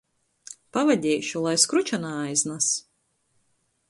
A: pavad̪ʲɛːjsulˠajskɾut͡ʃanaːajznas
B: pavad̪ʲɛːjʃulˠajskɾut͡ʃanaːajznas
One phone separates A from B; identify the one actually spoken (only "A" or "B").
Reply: B